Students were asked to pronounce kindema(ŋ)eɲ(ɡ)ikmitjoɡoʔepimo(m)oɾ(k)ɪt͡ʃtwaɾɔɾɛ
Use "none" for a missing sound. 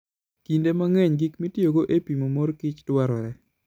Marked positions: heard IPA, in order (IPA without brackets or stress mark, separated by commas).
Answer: ŋ, ɡ, m, k